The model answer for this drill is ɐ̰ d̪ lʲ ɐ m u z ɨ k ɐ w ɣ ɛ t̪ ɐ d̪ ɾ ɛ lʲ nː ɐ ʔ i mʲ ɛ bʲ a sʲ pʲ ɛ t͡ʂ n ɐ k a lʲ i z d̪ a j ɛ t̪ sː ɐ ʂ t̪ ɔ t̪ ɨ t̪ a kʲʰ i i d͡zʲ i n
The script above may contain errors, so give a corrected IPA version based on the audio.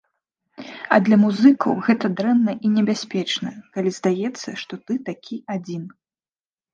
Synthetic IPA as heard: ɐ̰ d̪ lʲ ɐ m u z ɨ k ɐ w ɣ ɛ t̪ ɐ d̪ ɾ ɛ nː ɐ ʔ i nʲ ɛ bʲ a sʲ pʲ ɛ t͡ʂ n ɐ k a lʲ i z d̪ a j ɛ t̪ sː ɐ ʂ t̪ ɔ t̪ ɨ t̪ a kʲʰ i a d͡zʲ i n